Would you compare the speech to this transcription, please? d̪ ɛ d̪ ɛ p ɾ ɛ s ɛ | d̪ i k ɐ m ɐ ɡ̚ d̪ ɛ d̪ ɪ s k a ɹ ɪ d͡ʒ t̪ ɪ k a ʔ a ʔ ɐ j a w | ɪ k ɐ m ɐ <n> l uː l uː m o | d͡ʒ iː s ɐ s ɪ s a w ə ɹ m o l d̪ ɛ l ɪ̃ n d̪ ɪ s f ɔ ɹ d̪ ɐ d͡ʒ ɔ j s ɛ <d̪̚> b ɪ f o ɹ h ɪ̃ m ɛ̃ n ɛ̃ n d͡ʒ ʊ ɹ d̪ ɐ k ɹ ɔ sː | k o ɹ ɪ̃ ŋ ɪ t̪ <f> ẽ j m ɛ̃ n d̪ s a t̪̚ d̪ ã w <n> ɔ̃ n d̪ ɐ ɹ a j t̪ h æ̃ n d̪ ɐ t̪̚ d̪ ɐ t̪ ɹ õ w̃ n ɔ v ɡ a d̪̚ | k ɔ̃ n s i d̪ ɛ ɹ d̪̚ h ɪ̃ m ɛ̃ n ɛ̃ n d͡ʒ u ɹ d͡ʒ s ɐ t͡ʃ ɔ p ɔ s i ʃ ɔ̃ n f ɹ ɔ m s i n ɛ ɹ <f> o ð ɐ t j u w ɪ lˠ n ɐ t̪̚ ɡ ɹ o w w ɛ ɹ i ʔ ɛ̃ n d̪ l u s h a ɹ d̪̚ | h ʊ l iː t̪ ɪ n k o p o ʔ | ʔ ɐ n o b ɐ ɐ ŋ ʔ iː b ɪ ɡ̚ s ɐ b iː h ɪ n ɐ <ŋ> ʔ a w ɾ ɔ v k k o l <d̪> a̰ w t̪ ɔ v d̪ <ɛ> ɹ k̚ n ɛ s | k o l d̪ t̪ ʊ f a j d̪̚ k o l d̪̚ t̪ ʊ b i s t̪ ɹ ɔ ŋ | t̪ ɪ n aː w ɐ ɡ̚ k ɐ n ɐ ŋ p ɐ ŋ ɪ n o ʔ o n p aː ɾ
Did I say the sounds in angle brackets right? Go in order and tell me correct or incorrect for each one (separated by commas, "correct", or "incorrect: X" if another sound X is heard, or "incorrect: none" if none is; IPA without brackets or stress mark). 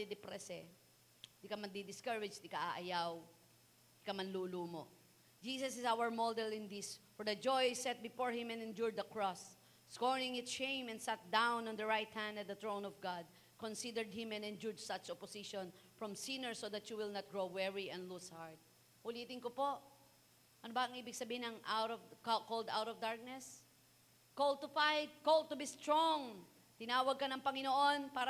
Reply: correct, incorrect: t̪̚, incorrect: ʃ, correct, incorrect: s, correct, correct, incorrect: a